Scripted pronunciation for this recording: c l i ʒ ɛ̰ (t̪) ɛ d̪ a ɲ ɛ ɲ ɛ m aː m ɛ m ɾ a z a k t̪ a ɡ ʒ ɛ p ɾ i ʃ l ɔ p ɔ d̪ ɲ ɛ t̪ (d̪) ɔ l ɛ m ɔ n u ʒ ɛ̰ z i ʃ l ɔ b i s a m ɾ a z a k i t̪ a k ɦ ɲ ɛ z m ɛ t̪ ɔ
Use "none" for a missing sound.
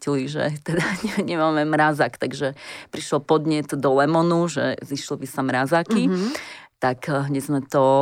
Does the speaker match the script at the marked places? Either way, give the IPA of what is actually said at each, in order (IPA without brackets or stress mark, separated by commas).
t̪, d̪